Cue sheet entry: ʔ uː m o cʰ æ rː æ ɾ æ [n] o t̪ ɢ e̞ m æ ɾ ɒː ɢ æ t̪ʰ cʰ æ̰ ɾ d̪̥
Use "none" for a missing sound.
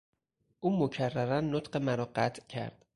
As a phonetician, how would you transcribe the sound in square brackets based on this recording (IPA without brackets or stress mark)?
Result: nː